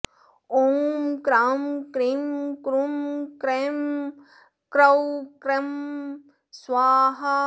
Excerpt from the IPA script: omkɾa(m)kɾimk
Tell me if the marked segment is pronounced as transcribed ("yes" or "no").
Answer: yes